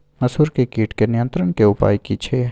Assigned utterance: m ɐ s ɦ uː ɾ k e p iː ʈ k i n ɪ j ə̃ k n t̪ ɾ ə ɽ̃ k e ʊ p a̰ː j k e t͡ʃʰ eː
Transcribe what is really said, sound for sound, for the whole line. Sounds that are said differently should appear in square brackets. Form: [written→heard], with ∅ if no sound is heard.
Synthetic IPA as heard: m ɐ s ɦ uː ɾ k e [p→k] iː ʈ k [i→e] n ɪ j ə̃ [k→∅] n t̪ ɾ ə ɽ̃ k e ʊ p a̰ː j k [e→i] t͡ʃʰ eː